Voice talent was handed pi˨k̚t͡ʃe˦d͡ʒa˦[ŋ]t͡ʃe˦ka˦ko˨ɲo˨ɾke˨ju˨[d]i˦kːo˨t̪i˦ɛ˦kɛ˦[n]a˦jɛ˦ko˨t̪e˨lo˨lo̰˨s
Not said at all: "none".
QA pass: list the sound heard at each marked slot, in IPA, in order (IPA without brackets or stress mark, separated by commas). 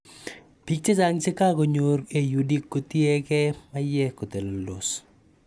ŋ, d, m